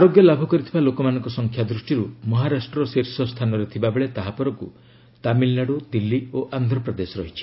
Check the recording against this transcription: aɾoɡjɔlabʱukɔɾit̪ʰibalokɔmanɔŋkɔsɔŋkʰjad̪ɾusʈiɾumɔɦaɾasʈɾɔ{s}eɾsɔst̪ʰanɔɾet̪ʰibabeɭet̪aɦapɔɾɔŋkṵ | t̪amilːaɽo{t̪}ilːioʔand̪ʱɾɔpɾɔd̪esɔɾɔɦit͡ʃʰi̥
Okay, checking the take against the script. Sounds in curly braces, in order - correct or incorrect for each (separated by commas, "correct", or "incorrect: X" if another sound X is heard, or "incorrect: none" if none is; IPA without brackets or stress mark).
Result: correct, incorrect: d̪